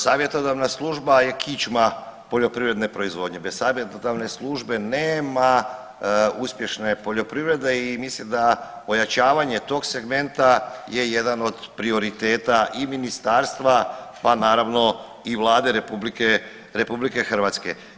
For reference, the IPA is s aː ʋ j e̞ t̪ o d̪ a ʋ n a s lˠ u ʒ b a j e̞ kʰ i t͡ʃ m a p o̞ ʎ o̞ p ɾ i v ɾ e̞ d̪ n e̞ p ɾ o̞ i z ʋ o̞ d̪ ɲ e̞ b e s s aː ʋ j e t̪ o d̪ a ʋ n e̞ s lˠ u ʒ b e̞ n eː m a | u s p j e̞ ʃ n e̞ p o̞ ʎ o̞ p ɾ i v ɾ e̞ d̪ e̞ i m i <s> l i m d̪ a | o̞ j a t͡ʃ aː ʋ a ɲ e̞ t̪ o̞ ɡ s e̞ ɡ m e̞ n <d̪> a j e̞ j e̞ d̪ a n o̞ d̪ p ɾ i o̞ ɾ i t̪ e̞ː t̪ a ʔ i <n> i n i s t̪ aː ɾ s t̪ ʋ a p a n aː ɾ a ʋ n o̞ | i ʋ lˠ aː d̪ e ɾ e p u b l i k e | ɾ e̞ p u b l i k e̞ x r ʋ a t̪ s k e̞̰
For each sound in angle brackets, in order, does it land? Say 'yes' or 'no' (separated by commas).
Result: yes, no, no